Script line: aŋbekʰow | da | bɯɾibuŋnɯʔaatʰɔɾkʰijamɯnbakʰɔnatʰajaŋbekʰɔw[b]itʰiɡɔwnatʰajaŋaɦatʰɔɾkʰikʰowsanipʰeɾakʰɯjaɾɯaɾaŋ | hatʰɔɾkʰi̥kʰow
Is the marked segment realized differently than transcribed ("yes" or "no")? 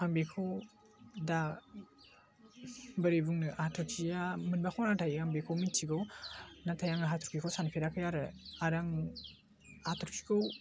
yes